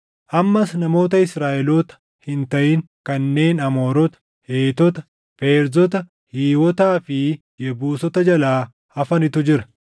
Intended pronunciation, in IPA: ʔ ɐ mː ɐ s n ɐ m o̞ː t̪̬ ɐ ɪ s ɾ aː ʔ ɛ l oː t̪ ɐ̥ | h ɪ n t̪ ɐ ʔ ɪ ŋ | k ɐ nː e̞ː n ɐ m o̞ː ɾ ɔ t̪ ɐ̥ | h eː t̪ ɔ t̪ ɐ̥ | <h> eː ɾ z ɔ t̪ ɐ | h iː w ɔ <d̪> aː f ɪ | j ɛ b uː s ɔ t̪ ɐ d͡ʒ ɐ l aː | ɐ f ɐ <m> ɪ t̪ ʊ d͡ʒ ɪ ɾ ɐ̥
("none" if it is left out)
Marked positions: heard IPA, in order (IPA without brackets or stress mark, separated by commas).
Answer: f, t̪, n